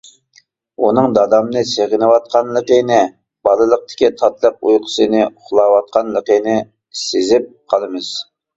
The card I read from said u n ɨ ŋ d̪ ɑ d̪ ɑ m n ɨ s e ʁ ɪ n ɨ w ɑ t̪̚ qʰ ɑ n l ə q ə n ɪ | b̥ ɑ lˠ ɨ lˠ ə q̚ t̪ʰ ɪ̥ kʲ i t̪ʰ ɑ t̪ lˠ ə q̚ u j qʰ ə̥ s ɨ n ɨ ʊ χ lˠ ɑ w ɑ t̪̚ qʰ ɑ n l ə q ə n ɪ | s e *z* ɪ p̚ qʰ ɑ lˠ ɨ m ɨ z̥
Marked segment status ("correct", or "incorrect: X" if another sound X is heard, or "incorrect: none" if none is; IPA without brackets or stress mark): correct